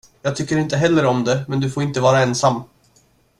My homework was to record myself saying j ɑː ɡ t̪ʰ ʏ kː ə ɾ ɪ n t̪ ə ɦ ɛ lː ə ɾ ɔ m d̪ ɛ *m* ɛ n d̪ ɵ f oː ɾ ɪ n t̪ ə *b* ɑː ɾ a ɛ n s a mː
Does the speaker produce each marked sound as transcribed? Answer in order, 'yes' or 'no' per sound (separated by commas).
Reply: yes, no